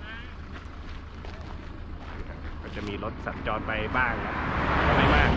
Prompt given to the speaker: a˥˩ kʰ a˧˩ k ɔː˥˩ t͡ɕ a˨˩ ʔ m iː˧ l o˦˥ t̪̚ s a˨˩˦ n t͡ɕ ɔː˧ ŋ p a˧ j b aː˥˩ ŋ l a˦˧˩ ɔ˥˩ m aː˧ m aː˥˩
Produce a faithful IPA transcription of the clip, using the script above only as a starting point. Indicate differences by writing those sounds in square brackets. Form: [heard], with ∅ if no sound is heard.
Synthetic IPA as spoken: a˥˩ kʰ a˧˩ k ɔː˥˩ t͡ɕ a˨˩ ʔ m iː˧ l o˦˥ t̪̚ s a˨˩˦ n t͡ɕ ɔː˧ [n] p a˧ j b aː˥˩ ŋ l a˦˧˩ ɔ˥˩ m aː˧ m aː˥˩

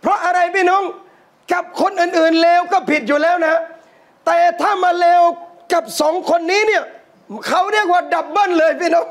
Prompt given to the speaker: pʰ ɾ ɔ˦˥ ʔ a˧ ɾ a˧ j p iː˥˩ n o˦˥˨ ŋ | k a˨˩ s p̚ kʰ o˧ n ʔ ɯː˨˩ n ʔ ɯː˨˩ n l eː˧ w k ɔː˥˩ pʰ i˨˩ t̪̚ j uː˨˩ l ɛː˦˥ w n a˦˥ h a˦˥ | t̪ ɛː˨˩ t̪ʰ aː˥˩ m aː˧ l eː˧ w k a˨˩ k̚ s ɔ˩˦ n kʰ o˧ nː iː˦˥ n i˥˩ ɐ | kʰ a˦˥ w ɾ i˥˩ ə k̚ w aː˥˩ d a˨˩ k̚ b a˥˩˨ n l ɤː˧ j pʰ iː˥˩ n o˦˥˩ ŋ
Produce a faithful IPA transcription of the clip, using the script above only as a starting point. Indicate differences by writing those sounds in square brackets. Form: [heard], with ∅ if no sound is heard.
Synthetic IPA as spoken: pʰ ɾ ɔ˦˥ ʔ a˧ ɾ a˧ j p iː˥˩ n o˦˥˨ ŋ | k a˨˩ [∅] p̚ kʰ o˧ n ʔ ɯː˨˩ n ʔ ɯː˨˩ n l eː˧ w k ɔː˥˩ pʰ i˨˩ t̪̚ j uː˨˩ l ɛː˦˥ w n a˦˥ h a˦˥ | t̪ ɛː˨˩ t̪ʰ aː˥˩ m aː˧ l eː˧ w k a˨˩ [p̚] s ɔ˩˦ [ŋ] kʰ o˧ nː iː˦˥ n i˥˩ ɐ | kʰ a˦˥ w ɾ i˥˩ ə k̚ w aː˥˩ d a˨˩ [p̚] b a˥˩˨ n l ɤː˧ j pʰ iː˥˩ n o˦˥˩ ŋ

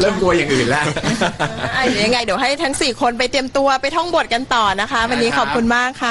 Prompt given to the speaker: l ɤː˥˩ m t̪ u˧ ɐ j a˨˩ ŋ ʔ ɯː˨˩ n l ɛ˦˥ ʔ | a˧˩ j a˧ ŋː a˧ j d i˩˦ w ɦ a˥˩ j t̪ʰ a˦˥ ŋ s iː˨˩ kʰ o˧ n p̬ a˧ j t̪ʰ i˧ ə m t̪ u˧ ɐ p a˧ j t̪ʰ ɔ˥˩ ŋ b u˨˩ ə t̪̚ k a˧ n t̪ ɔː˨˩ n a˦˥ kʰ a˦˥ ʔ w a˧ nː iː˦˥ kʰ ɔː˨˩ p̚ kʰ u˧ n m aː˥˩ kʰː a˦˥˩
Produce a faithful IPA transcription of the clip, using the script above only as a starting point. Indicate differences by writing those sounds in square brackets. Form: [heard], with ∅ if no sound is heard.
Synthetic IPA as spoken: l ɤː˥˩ m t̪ u˧ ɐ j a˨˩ ŋ ʔ ɯː˨˩ n l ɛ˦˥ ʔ | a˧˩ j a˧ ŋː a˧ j d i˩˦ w ɦ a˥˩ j t̪ʰ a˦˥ ŋ s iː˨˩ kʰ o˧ n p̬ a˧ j [t̪] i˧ ə m t̪ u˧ ɐ p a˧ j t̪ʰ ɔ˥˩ ŋ b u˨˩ ə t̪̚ k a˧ n t̪ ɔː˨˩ n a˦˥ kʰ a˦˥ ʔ w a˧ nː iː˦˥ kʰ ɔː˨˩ p̚ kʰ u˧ n m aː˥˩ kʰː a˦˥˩

